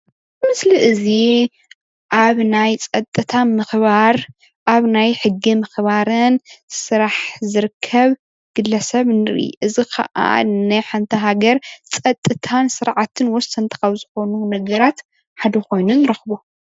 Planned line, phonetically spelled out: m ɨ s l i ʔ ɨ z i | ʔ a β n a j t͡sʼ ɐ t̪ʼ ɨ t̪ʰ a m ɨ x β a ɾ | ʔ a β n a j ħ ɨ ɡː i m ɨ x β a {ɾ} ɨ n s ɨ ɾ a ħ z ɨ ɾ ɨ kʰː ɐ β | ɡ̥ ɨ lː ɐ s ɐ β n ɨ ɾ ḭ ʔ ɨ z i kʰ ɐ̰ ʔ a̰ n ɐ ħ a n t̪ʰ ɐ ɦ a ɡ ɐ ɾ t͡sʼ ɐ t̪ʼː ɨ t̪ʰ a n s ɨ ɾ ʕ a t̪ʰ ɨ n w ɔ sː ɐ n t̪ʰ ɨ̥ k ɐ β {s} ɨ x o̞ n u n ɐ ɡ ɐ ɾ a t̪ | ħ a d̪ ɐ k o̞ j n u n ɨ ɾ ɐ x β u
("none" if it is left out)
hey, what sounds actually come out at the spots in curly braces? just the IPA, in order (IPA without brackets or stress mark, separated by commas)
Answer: ɾ, z